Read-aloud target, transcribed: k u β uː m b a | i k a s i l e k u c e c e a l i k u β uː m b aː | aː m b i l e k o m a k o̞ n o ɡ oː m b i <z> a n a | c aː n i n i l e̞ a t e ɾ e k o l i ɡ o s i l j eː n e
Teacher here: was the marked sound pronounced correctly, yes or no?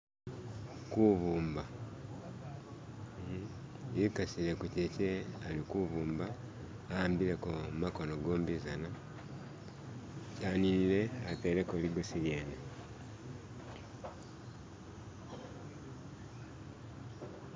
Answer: yes